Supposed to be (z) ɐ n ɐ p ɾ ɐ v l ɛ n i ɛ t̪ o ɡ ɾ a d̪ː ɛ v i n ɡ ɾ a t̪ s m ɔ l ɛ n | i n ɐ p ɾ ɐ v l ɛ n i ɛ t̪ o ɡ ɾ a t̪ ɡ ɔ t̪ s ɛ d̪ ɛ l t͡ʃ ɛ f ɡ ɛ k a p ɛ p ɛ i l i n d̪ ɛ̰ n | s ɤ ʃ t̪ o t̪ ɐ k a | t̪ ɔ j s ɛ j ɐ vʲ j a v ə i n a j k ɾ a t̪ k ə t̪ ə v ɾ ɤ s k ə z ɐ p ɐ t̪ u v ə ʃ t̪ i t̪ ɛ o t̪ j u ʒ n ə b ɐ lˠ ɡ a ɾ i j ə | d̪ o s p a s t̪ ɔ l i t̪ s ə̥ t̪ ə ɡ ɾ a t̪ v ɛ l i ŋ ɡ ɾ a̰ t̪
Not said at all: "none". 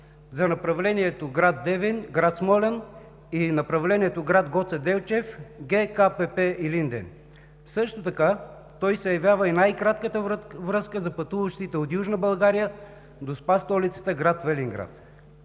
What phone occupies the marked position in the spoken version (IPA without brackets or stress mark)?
z